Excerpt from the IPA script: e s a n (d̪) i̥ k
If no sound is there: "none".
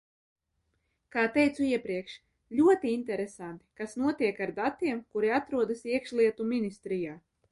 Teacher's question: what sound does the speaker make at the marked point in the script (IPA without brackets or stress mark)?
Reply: t̪